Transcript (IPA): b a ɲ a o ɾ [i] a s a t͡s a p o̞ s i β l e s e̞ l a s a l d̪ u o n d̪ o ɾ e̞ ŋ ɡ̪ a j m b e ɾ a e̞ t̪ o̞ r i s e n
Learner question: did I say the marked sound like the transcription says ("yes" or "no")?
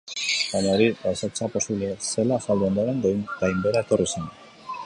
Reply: yes